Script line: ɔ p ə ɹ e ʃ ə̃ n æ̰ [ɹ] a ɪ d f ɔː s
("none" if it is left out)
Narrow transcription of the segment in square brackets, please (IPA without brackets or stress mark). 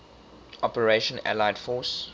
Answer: l